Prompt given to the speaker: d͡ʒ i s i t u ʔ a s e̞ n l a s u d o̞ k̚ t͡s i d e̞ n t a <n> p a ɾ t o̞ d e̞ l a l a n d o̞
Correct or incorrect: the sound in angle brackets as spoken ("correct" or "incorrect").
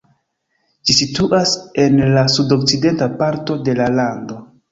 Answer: incorrect